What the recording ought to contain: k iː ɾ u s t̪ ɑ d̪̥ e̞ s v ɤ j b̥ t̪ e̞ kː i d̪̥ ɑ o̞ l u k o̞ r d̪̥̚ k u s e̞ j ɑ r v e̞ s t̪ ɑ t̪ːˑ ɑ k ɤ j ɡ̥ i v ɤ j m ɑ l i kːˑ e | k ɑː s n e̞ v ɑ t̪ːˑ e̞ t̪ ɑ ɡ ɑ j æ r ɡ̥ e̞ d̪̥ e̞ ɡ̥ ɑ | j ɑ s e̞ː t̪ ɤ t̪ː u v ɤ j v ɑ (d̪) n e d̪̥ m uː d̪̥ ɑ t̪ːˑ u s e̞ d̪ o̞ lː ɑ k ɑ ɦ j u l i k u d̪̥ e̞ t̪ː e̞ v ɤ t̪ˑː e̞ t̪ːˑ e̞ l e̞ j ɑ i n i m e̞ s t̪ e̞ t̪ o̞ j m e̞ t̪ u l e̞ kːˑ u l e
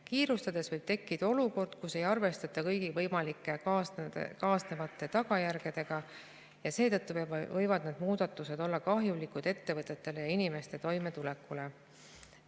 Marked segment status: correct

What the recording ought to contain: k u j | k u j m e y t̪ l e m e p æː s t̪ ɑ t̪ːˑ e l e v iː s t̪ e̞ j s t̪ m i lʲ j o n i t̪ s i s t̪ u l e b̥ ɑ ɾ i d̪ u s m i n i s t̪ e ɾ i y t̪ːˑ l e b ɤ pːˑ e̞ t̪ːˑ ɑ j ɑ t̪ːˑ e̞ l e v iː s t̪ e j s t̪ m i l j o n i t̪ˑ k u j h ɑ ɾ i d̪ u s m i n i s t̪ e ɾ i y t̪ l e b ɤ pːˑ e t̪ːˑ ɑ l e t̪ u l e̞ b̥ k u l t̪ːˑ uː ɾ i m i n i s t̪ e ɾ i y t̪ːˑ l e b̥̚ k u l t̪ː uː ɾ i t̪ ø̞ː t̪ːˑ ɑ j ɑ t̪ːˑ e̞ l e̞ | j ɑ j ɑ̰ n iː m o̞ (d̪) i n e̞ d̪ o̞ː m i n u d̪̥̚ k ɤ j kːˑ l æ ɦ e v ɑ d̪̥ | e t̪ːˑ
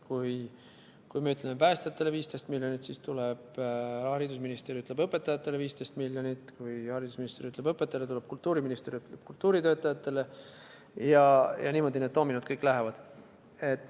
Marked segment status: correct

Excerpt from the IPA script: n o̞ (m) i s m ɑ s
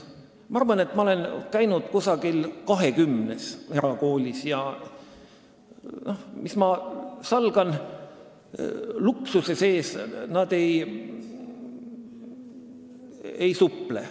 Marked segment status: correct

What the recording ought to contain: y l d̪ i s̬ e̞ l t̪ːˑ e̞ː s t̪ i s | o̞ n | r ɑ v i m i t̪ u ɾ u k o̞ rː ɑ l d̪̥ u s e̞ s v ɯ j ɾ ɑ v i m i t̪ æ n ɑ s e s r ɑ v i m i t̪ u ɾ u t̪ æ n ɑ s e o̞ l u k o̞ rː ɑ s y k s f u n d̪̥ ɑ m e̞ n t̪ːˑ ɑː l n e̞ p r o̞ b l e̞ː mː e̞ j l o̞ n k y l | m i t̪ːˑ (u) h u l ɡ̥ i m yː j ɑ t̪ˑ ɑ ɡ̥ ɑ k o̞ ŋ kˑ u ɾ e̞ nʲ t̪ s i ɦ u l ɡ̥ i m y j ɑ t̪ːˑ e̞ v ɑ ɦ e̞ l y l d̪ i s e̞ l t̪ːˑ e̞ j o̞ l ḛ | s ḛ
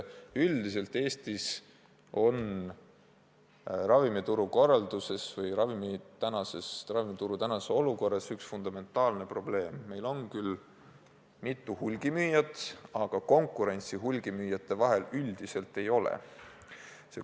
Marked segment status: correct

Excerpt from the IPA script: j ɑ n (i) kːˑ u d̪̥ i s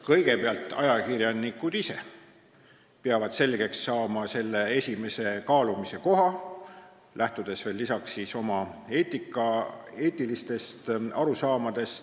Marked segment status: correct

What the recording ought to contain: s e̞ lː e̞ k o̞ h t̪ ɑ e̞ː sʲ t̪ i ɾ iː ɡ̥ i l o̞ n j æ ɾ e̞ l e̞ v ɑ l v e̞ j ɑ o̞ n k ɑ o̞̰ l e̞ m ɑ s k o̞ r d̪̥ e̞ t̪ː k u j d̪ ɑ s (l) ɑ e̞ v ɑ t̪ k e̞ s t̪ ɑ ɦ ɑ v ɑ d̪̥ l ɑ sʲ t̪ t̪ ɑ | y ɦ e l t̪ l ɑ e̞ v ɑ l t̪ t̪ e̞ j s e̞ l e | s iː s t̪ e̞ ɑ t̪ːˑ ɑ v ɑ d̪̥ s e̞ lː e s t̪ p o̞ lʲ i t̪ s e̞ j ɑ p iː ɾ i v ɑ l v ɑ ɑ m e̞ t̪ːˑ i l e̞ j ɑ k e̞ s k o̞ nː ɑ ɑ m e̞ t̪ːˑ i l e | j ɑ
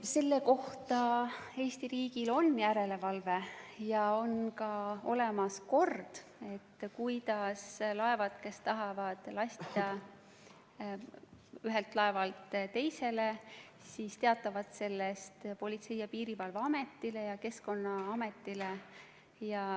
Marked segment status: correct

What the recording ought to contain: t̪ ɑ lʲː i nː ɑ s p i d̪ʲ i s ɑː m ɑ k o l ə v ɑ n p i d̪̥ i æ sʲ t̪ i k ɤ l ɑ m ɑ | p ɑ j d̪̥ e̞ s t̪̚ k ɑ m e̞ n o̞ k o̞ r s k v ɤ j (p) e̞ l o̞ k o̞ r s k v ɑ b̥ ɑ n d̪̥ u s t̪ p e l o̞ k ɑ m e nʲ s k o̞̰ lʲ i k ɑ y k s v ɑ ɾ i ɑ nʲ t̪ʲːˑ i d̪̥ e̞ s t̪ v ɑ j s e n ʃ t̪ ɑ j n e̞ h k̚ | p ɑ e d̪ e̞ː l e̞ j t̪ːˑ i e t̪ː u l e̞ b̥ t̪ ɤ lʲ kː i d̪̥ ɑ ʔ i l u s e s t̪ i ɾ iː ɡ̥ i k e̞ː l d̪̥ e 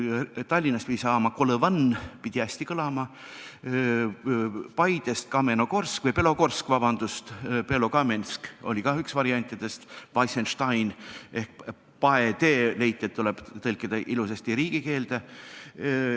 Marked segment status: correct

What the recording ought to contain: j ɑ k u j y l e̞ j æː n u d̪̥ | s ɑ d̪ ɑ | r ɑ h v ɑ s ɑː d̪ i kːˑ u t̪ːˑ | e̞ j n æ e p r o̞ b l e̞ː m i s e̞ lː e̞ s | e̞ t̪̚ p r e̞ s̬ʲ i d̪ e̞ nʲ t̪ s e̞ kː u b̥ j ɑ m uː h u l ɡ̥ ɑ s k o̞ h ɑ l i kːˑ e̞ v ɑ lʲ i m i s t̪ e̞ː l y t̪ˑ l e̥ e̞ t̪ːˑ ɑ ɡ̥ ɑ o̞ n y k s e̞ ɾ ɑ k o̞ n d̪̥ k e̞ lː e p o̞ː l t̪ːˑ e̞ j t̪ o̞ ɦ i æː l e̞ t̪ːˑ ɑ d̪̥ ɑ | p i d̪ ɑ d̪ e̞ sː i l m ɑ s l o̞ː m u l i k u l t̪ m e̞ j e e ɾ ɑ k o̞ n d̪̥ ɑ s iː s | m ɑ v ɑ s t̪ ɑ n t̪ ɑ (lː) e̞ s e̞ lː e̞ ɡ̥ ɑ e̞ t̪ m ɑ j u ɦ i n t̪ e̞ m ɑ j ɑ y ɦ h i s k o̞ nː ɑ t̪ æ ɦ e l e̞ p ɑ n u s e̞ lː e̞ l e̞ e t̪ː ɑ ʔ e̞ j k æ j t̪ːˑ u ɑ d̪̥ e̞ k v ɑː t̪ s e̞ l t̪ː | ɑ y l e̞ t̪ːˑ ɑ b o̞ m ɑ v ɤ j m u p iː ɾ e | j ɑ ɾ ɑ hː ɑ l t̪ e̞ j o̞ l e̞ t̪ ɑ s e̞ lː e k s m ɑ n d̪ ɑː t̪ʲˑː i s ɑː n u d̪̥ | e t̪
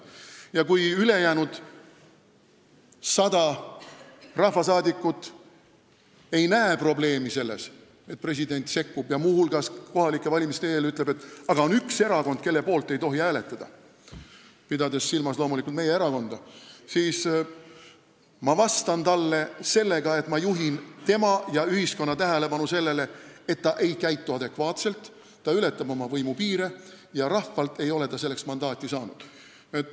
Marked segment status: correct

